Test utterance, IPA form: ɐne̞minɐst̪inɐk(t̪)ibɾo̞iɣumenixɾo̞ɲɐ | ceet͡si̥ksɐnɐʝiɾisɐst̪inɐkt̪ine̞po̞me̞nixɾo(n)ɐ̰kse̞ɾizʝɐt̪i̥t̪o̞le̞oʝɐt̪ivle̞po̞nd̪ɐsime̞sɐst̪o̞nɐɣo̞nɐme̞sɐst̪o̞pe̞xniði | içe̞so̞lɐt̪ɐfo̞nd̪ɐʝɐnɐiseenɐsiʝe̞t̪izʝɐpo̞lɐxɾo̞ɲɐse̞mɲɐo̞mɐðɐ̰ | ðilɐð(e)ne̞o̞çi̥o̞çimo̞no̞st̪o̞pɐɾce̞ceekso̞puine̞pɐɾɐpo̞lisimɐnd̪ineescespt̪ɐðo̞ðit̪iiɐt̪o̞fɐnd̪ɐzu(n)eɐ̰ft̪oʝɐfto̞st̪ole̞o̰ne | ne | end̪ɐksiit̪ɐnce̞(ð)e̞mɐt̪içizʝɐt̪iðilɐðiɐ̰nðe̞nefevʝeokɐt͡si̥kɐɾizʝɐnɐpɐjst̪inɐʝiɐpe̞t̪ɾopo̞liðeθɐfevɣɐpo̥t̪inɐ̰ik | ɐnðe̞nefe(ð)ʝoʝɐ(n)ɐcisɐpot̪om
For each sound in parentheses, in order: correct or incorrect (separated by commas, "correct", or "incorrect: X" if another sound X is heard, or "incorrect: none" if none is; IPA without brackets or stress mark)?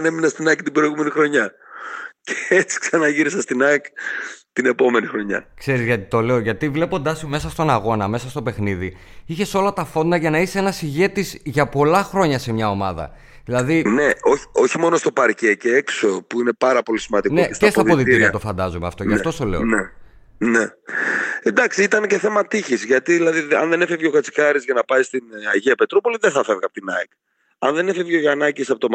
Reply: correct, incorrect: ɲ, incorrect: i, incorrect: m, incorrect: θ, incorrect: v, correct